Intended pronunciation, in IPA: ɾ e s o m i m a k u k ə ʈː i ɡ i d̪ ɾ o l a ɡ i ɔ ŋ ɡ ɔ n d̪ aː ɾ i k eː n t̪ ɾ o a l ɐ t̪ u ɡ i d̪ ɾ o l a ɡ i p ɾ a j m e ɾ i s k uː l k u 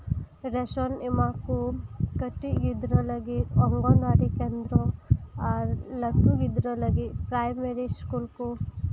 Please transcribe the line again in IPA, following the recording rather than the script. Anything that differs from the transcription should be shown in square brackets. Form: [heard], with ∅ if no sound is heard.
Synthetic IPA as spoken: ɾ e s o [n] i m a k u k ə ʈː i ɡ i d̪ ɾ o l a ɡ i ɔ ŋ ɡ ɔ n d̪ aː ɾ i k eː n [d̪] ɾ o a l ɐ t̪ u ɡ i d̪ ɾ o l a ɡ i p ɾ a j m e ɾ i s k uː l k u